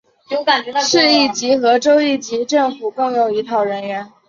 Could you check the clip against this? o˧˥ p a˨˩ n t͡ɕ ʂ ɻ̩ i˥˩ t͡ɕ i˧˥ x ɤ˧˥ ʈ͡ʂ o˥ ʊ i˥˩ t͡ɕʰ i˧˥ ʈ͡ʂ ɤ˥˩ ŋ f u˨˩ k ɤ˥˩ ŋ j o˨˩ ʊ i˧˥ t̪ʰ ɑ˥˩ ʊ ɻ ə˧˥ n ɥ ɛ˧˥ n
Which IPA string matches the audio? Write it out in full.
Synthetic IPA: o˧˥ k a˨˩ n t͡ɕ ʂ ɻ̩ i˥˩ t͡ɕ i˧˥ x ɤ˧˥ ʈ͡ʂ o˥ ʊ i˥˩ t͡ɕ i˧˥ ʈ͡ʂ ɤ˥˩ ŋ f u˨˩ k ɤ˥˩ ŋ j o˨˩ ʊ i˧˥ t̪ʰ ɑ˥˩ ʊ ɻ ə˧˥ n ɥ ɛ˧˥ n

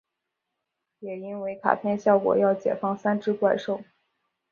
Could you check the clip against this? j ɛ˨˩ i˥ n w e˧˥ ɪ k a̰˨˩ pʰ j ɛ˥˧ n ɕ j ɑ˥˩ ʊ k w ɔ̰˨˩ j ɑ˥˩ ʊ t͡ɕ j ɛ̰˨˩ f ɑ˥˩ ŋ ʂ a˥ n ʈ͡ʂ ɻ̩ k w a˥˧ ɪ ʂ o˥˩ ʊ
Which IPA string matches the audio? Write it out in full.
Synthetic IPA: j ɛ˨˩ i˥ n w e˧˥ ɪ kʰ a̰˨˩ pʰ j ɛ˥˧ n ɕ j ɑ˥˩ ʊ k w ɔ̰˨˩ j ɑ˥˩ ʊ t͡ɕ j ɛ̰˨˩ f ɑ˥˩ ŋ s a˥ n ʈ͡ʂ ɻ̩ k w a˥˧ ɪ ʂ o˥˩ ʊ

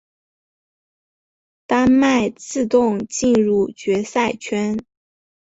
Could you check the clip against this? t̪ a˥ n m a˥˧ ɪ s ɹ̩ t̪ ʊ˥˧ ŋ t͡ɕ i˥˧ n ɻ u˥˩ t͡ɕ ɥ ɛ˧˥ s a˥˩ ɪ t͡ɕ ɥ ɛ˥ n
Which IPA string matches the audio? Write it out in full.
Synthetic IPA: t̪ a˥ n m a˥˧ ɪ t͡s ɹ̩ t̪ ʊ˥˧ ŋ t͡ɕ i˥˧ n ɻ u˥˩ t͡ɕ ɥ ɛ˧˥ s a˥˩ ɪ t͡ɕʰ ɥ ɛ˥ n

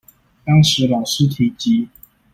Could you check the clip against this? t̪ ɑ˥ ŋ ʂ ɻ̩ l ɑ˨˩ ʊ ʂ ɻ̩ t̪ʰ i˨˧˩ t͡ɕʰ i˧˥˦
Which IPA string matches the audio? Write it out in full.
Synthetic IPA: t̪ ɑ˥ ŋ ʂ ɻ̩ l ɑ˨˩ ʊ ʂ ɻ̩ t̪ʰ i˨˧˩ t͡ɕ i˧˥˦

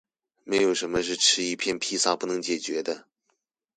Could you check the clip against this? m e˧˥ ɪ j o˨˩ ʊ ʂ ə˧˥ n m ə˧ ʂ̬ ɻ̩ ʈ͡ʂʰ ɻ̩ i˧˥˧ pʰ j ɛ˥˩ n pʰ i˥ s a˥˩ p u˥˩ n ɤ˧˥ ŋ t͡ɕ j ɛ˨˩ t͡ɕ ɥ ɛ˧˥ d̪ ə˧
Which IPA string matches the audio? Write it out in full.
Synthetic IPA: m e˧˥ ɪ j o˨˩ ʊ ʂ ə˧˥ n m ə˧ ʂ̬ ɻ̩ ʈ͡ʂʰ ɻ̩ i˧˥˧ pʰ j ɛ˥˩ n pʰ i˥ s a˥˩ p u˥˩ n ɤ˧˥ ŋ t͡ɕ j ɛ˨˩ t͡ɕ ɥ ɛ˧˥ d̪ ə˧

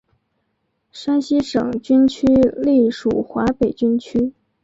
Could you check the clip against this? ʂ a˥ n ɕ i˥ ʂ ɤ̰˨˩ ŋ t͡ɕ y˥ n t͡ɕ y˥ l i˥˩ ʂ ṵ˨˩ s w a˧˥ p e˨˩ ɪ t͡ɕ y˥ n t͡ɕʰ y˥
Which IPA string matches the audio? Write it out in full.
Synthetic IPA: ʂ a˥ n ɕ i˥ ʂ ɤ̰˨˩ ŋ t͡ɕ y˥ n t͡ɕʰ y˥ l i˥˩ ʂ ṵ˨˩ x w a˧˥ p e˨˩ ɪ t͡ɕ y˥ n t͡ɕʰ y˥

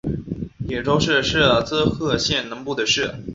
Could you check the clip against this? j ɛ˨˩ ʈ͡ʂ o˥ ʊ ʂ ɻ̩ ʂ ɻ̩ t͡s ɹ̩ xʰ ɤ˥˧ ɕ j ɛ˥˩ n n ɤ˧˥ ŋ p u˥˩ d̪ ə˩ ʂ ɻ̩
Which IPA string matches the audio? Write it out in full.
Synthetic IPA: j ɛ˨˩ ʈ͡ʂ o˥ ʊ ʂ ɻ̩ ʂ ɻ̩ t͡s ɹ̩ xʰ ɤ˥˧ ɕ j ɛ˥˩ n n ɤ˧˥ ŋ p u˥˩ d̪ ə˩ ʂ ɻ̩

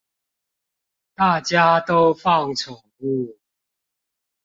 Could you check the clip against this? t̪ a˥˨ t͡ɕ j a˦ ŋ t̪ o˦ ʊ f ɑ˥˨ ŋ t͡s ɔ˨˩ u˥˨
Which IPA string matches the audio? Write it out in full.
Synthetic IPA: t̪ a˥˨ t͡ɕ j a˦ t̪ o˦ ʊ f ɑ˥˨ ŋ t͡sʰ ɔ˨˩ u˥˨

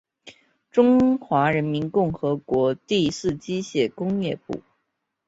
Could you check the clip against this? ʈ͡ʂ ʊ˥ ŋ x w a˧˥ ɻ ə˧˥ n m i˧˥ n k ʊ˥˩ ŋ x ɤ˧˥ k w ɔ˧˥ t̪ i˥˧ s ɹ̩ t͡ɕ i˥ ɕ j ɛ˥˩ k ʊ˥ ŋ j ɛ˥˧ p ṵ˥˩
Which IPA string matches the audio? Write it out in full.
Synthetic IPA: ʈ͡ʂ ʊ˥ ŋ x w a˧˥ ɻ ə˧˥ n m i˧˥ n k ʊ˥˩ ŋ x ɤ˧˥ k w ɔ˧˥ t̪ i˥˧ s ɹ̩ t͡ɕ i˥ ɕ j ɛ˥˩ k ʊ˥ ŋ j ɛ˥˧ p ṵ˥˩

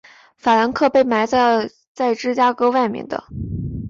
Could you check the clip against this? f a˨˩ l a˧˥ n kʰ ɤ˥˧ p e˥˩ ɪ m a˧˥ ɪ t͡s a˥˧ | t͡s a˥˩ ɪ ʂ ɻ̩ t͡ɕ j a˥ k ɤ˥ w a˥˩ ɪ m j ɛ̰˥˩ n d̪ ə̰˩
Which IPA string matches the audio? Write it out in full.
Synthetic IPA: f a˨˩ l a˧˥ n kʰ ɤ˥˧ p e˥˩ ɪ m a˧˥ ɪ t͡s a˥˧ | t͡s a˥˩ ɪ ʈ͡ʂ ɻ̩ t͡ɕ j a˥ k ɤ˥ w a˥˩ ɪ m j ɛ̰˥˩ n d̪ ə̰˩

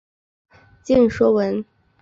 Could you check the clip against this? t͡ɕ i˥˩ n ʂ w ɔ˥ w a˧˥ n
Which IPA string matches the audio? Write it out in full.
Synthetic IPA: t͡ɕ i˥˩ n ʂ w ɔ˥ w ə˧˥ n

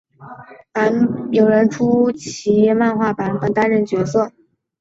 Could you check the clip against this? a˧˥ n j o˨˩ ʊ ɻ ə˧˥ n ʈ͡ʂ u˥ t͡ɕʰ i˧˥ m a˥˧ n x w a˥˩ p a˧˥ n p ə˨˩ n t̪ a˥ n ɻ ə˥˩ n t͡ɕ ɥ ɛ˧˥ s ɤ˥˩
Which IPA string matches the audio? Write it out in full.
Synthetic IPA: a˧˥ n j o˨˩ ʊ ɻ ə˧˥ n ʈ͡ʂʰ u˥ t͡ɕʰ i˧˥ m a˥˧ n x w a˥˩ p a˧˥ n p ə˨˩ n t̪ a˥ n ɻ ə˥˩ n t͡ɕ ɥ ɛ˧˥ s ɤ˥˩

